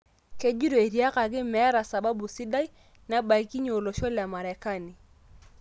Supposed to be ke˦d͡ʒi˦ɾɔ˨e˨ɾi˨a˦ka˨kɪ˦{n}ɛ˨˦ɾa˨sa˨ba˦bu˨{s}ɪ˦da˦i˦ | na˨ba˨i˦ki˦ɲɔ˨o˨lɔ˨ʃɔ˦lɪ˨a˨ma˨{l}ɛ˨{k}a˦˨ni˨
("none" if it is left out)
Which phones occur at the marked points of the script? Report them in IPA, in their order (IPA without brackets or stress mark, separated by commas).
m, s, ɾ, k